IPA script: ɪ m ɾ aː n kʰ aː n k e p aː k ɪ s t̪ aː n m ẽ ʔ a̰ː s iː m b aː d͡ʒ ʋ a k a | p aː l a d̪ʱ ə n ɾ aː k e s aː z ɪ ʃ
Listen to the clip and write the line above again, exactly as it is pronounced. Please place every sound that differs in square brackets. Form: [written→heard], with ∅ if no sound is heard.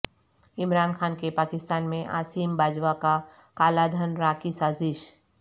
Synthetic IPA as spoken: ɪ m ɾ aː n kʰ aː n k e p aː k ɪ s t̪ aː n m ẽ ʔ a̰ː s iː m b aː d͡ʒ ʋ a k a | [p→k] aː l a d̪ʱ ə n ɾ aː k [e→i] s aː z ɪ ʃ